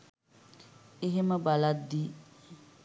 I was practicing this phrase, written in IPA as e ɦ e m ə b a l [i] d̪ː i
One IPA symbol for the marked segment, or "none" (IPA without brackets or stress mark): a